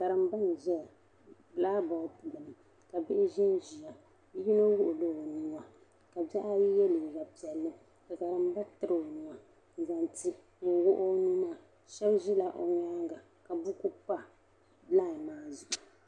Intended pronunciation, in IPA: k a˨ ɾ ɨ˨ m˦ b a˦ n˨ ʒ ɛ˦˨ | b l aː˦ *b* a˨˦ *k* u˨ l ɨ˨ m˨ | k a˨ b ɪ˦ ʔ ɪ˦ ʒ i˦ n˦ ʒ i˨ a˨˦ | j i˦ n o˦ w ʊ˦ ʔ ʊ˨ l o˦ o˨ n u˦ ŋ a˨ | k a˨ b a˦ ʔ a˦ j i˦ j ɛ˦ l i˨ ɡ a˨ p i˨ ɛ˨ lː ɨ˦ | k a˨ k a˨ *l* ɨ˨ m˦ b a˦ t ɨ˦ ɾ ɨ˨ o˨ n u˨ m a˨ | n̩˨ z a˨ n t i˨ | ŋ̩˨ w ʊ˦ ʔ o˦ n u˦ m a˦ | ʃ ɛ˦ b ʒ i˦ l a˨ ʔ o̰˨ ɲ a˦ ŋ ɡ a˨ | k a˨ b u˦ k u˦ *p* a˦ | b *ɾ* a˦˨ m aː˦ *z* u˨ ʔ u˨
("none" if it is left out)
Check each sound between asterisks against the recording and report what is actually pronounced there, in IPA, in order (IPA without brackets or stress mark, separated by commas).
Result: b, p, ɾ, p, l, z